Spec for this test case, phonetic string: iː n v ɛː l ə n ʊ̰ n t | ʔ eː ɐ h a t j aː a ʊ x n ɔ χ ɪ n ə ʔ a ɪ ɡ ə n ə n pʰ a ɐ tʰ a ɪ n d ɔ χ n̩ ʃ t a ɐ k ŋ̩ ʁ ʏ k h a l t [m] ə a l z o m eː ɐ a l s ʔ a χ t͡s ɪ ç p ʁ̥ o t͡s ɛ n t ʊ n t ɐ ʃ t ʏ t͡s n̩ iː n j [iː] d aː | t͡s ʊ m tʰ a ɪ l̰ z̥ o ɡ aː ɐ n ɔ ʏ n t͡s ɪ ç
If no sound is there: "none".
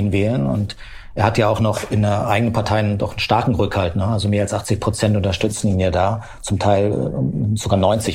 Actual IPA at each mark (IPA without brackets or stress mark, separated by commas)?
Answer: n, aː